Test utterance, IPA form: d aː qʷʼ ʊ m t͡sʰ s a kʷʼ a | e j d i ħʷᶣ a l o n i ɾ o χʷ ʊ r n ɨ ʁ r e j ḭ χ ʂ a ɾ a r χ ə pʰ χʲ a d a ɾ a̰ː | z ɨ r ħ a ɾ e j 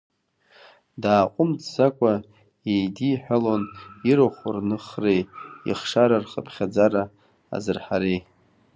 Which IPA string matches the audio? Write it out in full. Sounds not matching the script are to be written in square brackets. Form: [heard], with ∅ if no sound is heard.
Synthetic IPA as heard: d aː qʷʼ ʊ m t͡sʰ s a kʷʼ a | e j d i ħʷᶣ a l o n i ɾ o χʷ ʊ r n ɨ [χ] r e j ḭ χ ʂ a ɾ a r χ ə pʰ χʲ a [d͡z] a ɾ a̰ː | z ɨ r ħ a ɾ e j